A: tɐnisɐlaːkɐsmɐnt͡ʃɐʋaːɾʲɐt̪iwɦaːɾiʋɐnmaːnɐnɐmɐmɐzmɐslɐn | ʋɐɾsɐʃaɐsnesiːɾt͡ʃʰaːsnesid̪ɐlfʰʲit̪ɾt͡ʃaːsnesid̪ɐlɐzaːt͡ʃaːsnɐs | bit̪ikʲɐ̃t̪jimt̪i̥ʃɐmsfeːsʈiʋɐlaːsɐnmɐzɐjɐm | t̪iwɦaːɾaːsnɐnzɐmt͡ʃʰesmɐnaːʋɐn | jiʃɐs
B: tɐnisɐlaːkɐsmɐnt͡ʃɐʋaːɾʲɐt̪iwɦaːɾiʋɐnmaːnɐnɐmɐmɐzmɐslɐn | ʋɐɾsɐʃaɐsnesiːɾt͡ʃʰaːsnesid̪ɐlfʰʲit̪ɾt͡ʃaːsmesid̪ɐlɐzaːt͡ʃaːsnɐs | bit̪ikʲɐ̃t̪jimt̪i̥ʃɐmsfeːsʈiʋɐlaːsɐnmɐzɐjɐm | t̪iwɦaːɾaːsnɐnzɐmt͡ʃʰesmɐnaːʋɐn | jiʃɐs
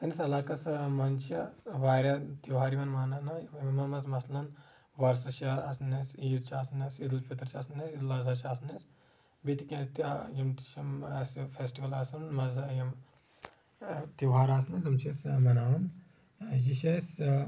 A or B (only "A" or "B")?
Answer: A